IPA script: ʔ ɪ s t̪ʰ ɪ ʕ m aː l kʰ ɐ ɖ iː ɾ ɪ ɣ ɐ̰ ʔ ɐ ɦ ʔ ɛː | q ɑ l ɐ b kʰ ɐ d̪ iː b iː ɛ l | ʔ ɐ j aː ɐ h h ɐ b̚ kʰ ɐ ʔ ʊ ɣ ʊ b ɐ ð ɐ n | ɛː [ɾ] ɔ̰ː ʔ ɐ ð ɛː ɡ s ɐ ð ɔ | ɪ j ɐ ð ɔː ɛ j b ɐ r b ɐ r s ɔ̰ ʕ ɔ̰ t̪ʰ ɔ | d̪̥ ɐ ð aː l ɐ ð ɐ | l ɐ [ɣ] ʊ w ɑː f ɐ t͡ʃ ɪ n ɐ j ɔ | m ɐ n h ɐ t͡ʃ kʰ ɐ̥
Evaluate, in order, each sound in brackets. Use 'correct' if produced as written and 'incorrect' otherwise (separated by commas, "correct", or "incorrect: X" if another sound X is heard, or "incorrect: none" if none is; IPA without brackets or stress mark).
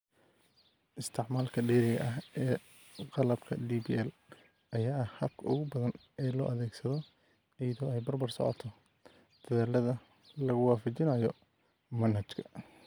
incorrect: l, correct